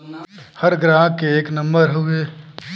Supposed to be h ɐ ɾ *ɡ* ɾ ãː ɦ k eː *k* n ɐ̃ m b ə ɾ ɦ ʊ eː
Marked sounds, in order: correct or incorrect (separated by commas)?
correct, correct